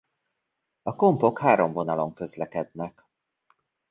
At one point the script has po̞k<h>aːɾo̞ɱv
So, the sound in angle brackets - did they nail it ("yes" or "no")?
yes